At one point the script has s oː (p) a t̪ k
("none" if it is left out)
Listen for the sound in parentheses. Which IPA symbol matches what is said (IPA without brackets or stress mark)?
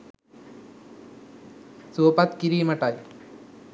p